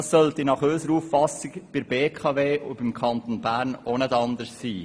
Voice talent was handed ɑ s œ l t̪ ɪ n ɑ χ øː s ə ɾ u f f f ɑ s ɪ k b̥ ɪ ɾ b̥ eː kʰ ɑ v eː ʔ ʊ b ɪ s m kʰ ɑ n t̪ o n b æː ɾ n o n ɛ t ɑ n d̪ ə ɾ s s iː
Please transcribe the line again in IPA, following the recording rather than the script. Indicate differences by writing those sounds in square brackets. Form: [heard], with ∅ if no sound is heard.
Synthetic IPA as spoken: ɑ s œ l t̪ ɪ n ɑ χ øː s ə ɾ u f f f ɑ s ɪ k b̥ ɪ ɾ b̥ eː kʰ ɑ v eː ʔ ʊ b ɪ [∅] m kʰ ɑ n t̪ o n b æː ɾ n o n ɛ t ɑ n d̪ ə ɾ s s iː